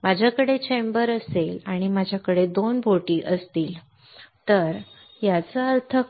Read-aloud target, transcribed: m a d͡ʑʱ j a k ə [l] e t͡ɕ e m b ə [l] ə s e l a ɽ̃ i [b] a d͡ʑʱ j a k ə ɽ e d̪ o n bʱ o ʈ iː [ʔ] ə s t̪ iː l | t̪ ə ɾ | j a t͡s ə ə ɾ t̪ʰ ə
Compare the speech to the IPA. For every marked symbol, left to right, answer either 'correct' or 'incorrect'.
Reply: incorrect: ɽ, incorrect: ɾ, incorrect: m, correct

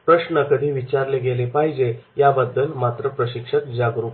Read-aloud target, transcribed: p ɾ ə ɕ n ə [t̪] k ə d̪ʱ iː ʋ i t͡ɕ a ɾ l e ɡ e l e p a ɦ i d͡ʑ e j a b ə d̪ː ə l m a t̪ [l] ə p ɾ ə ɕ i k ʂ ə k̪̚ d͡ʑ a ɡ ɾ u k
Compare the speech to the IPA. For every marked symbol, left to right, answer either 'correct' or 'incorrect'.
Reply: incorrect: none, incorrect: ɾ

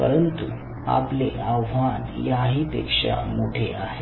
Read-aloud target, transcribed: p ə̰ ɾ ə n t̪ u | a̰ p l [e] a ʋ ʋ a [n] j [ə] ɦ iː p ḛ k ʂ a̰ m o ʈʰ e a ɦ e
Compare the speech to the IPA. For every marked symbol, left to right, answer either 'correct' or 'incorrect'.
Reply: correct, correct, incorrect: a

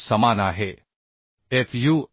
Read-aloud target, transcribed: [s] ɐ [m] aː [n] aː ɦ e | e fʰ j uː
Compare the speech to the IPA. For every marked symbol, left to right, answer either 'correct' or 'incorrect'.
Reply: correct, correct, correct

